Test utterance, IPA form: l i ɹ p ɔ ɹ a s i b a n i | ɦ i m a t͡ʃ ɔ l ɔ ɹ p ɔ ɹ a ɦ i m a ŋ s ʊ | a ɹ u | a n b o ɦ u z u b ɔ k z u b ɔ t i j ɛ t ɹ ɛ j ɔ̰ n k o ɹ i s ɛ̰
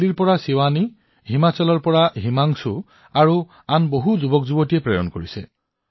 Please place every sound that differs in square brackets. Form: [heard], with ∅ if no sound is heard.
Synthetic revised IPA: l i ɹ p ɔ ɹ a s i [w] a n i | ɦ i m a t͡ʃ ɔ l ɔ ɹ p ɔ ɹ a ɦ i m a ŋ s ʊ | a ɹ u | a n b o ɦ u z u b ɔ k z u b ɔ t i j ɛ [p] ɹ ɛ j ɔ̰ n k o ɹ i s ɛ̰